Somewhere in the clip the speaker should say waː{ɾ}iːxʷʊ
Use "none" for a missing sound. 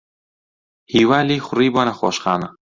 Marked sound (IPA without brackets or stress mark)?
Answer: l